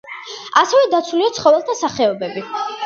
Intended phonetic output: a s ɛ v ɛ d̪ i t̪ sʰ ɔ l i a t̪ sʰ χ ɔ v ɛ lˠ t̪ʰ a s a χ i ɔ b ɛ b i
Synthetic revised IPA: a s ɛ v ɛ d̪ a t̪ sʰ u l i a t̪ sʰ χ ɔ v ɛ lˠ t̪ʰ a s a χ ɛ ɔ b ɛ b i